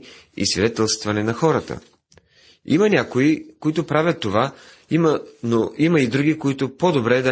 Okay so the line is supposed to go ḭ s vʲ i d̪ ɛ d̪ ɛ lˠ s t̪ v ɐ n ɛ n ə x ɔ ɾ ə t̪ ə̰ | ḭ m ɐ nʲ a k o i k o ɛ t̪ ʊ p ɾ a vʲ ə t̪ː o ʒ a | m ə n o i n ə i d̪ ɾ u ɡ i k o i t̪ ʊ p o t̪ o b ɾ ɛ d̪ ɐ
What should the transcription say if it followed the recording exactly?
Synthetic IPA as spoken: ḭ s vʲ i d̪ ɛ t̪ ɛ lˠ s t̪ v ɐ n ɛ n ɐ x ɔ ɾ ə t̪ ə̰ | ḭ m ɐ nʲ a k o i k o i t̪ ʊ p ɾ a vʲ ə t̪ː o v a | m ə n o i m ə i d̪ ɾ u ɡ i k o i t̪ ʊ p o d̪ o b ɾ ɛ d̪ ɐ